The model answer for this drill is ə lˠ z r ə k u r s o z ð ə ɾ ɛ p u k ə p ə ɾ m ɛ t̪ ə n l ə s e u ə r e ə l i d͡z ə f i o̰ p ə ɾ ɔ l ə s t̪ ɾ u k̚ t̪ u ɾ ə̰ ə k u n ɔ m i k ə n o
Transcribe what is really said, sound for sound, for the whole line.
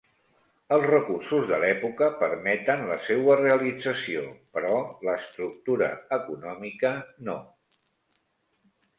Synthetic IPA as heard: ə lˠ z r ə k u r s u z ð ə l ɛ p u k ə p ə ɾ m ɛ t̪ ə n l ə s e w ə r e ə l i d͡z ə s i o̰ p ə ɾ ɔ l ə s t̪ ɾ u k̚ t̪ u ɾ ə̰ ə k u n ɔ m i k ə n o